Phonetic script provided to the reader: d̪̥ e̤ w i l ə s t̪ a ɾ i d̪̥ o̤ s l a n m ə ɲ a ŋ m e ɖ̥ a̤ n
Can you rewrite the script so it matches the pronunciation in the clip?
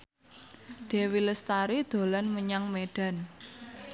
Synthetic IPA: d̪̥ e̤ w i l ə s t̪ a ɾ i d̪̥ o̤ l a n m ə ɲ a ŋ m e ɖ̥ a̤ n